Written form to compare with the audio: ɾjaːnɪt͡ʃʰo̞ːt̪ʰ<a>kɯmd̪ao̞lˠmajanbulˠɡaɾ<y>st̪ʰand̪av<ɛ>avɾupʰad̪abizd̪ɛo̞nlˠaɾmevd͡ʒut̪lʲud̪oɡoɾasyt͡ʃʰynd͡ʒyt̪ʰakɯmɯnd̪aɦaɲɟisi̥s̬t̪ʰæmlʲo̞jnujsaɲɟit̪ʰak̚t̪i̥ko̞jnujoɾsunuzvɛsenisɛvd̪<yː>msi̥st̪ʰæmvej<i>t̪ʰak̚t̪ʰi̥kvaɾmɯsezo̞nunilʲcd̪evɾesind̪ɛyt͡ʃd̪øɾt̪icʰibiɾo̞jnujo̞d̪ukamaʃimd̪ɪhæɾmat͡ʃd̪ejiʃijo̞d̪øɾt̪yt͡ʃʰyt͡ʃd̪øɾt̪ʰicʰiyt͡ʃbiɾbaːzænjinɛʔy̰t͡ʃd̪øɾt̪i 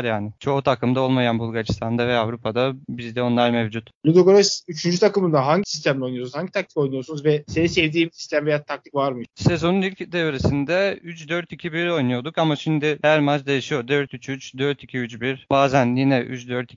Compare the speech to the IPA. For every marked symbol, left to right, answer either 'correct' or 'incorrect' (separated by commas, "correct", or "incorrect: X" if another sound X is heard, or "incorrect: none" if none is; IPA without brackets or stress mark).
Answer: correct, incorrect: i, correct, incorrect: iː, incorrect: a